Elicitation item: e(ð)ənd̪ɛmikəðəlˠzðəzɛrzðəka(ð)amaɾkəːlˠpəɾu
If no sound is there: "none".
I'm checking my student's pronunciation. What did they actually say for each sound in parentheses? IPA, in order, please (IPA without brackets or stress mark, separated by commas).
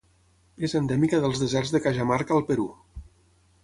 z, ʒ